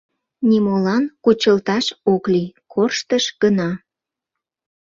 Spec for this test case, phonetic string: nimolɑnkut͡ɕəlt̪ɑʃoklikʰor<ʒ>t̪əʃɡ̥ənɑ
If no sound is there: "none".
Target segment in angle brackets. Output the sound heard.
ʃ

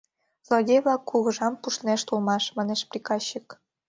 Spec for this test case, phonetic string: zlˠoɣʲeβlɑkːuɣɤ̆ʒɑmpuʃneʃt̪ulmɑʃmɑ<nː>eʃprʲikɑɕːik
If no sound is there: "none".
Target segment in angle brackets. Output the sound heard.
n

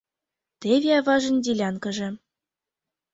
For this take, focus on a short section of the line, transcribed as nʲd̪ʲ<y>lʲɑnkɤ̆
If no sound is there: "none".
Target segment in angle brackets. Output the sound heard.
i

